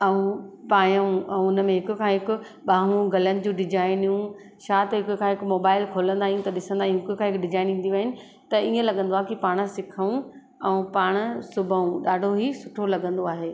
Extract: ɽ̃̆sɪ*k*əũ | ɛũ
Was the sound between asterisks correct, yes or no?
no